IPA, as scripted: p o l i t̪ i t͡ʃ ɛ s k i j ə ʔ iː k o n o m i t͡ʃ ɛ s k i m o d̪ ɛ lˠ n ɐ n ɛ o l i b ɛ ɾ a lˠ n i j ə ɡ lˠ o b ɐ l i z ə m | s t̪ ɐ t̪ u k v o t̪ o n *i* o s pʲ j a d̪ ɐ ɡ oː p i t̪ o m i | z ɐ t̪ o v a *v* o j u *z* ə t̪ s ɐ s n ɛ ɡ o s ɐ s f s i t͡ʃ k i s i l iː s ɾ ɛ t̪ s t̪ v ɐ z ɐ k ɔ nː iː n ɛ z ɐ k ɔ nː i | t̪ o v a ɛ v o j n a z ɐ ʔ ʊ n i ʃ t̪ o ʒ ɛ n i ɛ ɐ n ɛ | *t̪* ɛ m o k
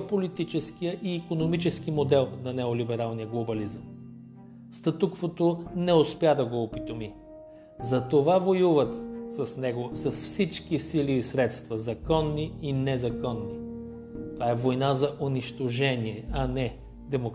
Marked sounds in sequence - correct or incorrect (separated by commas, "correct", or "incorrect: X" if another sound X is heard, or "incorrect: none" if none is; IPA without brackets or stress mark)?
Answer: incorrect: ɛ, correct, incorrect: v, incorrect: d̪